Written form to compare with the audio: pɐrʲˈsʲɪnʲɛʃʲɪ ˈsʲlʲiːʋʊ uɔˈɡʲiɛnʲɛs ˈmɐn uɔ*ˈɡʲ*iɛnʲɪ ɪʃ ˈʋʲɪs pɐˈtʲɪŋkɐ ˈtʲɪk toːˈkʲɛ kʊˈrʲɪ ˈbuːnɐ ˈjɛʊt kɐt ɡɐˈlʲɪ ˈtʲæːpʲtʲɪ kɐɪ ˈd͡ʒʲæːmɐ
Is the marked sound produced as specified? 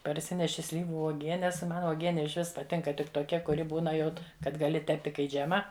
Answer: yes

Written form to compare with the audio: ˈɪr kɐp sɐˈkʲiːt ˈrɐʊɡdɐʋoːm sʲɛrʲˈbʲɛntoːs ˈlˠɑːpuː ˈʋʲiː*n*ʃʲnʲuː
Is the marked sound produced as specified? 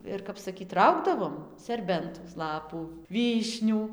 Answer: no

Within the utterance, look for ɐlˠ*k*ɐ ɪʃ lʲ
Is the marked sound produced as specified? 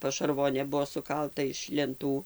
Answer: no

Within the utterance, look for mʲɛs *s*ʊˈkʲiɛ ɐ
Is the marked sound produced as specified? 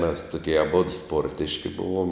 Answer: no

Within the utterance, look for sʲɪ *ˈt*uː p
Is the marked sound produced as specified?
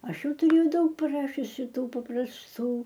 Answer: yes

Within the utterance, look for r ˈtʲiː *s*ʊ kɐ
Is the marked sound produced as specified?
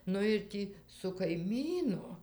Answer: yes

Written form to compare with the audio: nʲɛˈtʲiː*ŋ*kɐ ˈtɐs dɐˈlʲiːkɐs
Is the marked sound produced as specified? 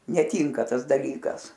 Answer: yes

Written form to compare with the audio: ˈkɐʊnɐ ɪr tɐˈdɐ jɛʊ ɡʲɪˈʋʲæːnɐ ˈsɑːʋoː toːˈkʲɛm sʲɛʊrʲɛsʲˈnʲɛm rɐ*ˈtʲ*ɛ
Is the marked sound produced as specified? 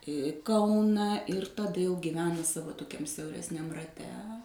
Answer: yes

